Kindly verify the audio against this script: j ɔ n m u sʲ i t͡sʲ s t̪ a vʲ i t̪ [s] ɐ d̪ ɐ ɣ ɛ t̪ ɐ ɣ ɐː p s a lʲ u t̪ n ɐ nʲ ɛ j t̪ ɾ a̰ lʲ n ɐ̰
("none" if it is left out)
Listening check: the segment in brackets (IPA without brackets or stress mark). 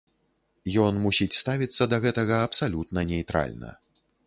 sː